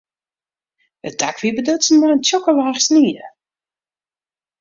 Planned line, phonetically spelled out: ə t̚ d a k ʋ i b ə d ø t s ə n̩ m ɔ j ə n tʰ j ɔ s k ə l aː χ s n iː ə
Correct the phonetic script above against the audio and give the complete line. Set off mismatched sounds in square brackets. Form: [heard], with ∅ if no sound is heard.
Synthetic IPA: ə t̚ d a k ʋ i b ə d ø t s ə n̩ m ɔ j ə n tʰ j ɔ [∅] k ə l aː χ s n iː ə